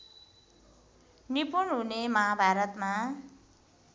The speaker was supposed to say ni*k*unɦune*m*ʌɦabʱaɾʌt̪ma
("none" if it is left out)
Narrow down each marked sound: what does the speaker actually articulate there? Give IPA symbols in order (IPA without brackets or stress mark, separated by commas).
p, m